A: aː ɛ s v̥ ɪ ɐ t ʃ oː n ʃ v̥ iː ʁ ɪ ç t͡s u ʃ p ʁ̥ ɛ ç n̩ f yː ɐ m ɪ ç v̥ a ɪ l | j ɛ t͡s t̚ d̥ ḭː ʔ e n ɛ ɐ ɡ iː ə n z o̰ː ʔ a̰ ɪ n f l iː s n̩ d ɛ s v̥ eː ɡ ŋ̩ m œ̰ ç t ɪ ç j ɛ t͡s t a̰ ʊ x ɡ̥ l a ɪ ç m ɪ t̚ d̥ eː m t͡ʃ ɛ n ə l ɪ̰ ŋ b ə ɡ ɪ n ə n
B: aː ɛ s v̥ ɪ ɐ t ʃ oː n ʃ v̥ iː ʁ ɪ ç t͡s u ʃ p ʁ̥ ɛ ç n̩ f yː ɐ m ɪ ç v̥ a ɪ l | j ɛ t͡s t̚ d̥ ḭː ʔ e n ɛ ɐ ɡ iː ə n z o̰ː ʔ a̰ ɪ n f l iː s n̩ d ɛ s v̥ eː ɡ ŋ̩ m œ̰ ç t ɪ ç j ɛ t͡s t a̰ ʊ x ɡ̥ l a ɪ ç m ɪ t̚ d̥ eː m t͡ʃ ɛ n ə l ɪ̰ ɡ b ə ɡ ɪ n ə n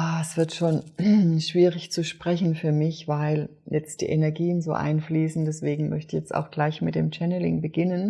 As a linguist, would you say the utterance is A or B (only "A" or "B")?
A